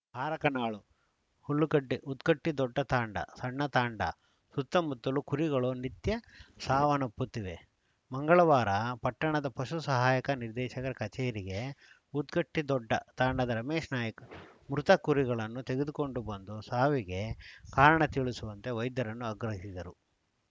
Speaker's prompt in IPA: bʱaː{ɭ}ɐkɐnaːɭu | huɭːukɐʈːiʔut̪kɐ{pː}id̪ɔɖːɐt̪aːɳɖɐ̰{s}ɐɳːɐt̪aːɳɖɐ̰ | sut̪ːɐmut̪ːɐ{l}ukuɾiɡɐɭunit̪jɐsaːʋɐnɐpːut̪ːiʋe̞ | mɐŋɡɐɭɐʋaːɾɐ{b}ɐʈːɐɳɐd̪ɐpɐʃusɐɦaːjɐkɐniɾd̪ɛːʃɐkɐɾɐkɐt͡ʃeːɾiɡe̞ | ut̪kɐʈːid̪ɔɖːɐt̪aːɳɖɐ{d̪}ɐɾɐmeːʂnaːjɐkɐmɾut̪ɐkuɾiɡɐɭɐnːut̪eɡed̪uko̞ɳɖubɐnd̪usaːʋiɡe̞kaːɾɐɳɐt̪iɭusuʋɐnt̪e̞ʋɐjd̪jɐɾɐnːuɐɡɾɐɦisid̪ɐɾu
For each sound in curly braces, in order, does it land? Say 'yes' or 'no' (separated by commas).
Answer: no, no, yes, yes, no, yes